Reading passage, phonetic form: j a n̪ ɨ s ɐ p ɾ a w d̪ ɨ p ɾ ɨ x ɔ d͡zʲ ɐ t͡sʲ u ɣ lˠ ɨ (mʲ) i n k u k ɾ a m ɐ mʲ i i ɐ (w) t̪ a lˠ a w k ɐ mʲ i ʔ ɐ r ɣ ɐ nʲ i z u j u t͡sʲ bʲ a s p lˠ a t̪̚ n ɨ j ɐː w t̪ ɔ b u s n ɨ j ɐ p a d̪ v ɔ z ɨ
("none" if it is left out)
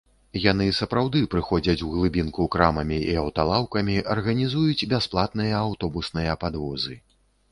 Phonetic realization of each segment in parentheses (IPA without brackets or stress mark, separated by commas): bʲ, w